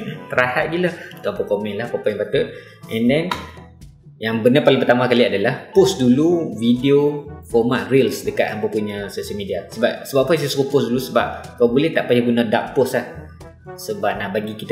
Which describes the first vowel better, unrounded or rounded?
unrounded